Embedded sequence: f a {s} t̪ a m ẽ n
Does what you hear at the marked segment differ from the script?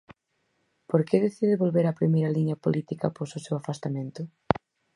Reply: no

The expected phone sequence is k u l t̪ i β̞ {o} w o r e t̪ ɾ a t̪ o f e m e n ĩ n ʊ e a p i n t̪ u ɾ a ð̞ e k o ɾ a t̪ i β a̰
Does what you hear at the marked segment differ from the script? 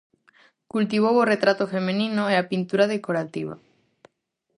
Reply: no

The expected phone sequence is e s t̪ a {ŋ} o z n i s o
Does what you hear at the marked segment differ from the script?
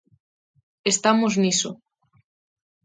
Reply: yes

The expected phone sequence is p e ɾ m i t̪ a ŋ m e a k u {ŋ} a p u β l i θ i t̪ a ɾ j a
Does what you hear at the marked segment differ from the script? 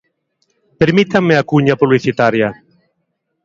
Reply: yes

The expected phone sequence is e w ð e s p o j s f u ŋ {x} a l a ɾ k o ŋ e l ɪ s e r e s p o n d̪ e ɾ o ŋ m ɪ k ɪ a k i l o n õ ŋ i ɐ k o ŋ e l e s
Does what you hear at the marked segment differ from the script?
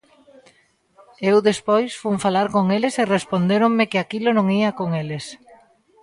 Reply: yes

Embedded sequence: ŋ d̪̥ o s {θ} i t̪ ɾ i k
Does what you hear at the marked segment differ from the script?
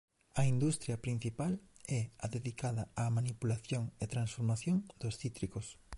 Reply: no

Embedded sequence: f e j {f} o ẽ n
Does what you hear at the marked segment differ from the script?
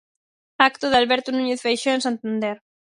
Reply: yes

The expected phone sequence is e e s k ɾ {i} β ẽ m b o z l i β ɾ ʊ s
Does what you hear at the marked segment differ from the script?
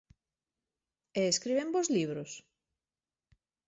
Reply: no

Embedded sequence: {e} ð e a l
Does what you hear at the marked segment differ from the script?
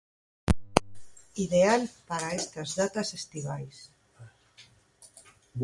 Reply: yes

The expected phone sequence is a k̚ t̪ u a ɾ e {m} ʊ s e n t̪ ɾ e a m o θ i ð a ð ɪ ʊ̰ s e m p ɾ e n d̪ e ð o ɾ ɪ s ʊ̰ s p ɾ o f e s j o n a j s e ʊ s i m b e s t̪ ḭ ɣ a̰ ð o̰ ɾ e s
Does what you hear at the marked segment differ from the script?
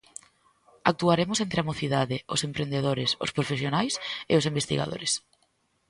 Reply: no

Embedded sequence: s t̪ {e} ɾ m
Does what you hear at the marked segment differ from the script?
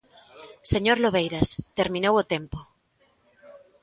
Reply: no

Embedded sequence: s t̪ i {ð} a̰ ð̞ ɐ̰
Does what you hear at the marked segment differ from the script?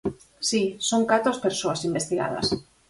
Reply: yes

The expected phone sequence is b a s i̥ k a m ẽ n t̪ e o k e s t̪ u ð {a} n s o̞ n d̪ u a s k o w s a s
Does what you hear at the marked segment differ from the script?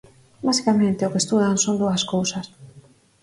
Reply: no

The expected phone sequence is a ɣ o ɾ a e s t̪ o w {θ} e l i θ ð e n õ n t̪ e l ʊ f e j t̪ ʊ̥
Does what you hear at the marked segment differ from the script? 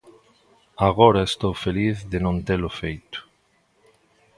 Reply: yes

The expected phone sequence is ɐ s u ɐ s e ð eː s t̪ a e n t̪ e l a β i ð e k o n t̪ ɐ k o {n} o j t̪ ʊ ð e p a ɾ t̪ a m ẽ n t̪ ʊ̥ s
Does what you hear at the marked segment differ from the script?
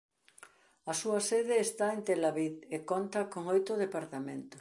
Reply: yes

